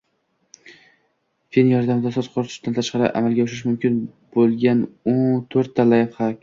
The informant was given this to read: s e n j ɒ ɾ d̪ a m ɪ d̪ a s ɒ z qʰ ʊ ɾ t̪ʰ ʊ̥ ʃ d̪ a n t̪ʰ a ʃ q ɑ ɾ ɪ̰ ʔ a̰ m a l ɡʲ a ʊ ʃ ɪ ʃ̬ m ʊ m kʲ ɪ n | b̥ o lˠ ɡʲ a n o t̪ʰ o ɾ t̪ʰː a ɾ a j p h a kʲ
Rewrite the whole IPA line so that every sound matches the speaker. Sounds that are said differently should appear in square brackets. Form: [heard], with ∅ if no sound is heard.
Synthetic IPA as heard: [f] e n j ɒ ɾ d̪ a m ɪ d̪ a s ɒ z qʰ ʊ ɾ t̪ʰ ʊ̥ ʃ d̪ a n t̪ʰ a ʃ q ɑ ɾ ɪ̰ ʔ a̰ m a l ɡʲ a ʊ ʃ ɪ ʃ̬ m ʊ m kʲ ɪ n | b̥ o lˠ ɡʲ a n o t̪ʰ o ɾ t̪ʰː a [l] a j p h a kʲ